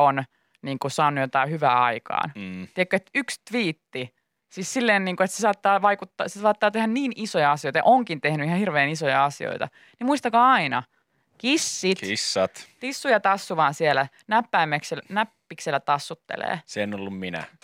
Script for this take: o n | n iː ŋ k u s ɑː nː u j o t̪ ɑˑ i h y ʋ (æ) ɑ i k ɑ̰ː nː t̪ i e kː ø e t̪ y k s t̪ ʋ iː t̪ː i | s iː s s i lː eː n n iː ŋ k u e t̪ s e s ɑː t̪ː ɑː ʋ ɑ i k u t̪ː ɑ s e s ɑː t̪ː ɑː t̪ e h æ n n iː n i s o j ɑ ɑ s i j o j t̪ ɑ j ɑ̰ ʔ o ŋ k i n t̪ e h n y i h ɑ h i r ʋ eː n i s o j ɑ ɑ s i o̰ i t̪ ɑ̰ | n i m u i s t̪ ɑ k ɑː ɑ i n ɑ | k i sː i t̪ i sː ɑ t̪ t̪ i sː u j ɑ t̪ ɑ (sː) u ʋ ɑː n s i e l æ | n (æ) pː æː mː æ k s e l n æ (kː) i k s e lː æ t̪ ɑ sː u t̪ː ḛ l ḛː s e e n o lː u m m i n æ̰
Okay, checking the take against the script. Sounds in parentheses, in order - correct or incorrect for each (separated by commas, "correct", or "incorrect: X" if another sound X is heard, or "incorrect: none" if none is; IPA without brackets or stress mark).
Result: incorrect: æː, correct, correct, incorrect: pː